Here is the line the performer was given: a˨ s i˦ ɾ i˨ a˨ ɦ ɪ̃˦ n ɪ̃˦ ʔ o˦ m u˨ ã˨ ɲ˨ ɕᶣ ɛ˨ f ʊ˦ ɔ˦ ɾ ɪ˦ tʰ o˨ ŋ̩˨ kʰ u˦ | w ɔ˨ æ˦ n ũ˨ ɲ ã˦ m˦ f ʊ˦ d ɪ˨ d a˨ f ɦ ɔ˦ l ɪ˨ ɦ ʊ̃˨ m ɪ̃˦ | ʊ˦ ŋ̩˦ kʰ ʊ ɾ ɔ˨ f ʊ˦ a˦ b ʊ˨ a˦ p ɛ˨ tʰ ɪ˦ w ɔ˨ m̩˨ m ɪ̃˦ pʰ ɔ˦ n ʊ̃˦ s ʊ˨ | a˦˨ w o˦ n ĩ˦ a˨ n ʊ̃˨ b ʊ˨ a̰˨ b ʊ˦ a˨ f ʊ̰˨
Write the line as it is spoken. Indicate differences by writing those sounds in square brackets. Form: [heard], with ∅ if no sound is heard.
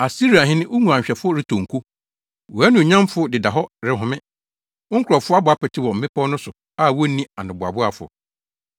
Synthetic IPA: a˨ s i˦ ɾ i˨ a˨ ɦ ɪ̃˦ n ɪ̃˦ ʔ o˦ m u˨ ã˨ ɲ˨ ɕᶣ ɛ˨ f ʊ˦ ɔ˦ ɾ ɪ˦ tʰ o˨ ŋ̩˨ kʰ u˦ | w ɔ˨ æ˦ n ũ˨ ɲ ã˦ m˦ f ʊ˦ d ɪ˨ d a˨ [∅] ɦ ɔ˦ [ɾ] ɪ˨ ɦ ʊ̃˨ m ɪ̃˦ | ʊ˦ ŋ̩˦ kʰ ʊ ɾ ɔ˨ f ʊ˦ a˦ b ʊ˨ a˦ p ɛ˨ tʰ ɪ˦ w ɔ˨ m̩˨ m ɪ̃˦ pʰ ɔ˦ n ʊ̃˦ s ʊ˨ | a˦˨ w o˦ n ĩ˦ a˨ n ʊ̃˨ b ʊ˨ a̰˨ b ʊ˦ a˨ f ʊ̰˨